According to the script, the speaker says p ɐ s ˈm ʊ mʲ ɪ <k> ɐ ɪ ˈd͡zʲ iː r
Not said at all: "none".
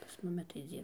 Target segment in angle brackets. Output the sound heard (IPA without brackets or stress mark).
t